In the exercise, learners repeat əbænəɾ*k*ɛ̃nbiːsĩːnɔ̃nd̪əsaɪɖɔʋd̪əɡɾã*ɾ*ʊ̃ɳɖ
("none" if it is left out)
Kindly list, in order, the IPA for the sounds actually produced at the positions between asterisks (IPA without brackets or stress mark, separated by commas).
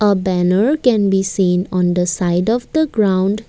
k, none